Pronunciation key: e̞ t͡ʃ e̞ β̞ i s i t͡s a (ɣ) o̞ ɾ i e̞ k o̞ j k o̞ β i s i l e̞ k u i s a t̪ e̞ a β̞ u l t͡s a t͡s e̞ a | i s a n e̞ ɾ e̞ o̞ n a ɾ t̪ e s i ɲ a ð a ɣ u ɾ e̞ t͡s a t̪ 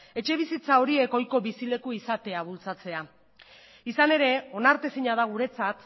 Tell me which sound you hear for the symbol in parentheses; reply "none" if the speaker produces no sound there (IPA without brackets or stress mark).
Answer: none